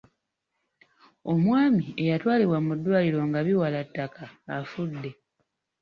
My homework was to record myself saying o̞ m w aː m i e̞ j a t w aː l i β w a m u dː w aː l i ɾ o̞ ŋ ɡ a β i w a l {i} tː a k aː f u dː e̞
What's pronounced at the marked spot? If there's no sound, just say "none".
a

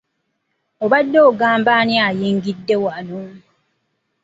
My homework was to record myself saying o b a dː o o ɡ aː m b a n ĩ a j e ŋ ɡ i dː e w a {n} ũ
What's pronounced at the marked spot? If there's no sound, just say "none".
n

